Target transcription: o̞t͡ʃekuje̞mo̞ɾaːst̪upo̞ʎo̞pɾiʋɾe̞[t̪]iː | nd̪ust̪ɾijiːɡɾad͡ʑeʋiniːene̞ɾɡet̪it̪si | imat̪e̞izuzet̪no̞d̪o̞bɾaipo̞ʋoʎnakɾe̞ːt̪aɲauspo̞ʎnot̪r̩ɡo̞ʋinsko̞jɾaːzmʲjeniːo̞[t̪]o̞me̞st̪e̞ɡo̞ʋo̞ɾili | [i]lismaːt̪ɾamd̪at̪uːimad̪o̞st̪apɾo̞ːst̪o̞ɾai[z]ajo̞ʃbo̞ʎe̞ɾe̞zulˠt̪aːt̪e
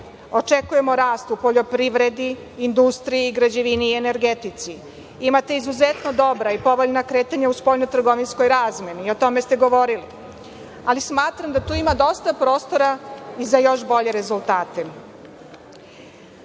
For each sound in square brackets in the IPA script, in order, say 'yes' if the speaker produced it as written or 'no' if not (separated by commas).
no, yes, no, yes